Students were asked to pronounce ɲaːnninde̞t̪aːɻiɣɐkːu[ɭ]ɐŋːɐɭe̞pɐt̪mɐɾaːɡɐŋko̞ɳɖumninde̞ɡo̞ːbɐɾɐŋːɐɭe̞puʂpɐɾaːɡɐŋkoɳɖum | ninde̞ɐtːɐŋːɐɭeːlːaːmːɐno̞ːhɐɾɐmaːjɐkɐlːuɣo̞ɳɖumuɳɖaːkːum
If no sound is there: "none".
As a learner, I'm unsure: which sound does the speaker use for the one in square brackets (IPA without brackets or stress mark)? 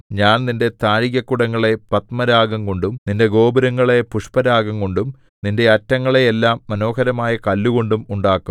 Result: ɽ